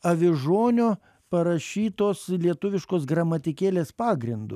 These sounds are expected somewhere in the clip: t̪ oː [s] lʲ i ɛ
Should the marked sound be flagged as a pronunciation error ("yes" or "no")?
no